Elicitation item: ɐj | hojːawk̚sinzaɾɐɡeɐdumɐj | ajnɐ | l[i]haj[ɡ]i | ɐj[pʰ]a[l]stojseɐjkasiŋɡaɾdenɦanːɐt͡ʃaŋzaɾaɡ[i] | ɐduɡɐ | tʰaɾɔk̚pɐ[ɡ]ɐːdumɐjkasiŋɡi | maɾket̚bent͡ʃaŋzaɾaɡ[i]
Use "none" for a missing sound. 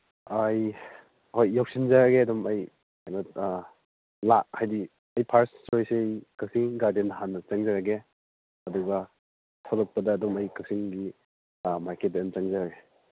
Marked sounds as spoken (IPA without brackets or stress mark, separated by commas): a, d, pʰ, ɾ, e, d, e